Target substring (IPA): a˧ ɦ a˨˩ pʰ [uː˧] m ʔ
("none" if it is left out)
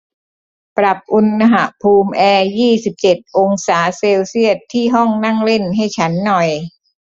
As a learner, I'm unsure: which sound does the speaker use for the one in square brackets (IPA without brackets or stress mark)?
uː˧